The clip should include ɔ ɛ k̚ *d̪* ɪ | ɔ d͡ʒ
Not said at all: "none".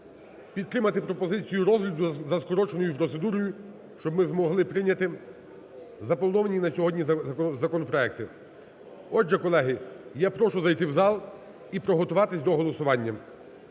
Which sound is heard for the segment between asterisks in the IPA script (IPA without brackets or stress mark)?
t̪